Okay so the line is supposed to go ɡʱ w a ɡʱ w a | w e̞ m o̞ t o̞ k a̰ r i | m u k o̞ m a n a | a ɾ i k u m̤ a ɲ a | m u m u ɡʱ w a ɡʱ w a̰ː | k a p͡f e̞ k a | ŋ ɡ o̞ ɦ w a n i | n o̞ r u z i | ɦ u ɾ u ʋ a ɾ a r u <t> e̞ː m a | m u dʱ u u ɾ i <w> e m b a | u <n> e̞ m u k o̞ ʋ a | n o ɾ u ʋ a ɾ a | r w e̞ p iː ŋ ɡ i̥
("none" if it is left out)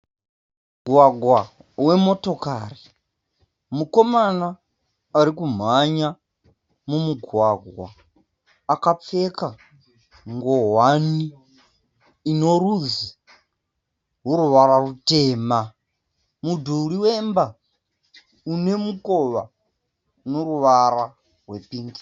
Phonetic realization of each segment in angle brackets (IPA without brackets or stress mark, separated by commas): t, w, n